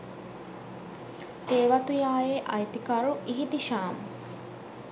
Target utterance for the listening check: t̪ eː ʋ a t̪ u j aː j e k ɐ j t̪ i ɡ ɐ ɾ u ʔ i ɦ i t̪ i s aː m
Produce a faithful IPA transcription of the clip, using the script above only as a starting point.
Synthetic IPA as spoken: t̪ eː ʋ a t̪ u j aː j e ʔ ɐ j t̪ i k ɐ ɾ u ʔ i ɦ i t̪ i ʃ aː m